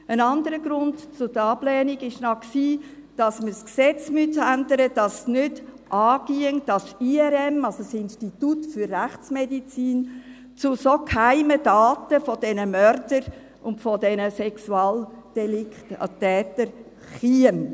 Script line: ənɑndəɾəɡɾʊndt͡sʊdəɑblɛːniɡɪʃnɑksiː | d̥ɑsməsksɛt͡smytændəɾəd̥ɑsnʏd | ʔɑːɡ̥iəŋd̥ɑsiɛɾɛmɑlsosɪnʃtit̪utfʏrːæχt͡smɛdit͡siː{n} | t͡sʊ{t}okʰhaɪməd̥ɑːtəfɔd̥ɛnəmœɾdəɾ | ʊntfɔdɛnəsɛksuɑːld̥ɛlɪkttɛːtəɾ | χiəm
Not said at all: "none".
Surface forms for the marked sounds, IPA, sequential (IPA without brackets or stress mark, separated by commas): n, s